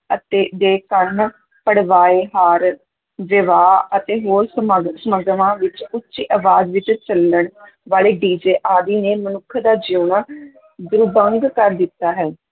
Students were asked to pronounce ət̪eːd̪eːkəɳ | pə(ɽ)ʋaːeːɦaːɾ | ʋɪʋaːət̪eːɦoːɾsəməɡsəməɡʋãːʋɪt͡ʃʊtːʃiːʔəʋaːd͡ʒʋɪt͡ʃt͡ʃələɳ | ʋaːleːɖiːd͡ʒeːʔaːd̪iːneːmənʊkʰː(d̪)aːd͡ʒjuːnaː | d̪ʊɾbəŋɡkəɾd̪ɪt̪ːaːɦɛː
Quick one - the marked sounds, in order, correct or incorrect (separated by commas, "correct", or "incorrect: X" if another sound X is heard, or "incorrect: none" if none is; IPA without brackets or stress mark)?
correct, correct